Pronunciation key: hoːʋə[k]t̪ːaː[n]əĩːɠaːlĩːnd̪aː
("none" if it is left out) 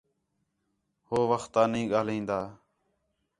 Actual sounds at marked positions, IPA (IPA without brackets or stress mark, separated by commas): x, n